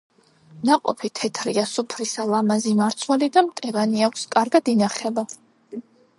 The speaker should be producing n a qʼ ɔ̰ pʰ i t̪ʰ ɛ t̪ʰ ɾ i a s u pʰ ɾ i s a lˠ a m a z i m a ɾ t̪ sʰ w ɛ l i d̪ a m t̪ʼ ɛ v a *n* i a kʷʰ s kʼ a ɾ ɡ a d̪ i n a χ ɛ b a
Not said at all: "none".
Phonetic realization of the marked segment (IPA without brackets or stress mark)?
n